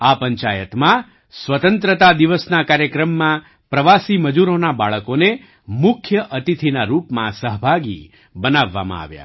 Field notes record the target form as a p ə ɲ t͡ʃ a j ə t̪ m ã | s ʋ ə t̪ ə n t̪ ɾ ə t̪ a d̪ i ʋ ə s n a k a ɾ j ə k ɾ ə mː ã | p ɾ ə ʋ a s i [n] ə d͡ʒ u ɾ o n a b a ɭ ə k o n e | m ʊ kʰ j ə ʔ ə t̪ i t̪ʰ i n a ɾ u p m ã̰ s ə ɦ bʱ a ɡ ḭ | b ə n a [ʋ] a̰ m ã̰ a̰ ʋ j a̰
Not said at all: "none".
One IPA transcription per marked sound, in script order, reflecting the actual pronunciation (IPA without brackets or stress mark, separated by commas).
m, ʋː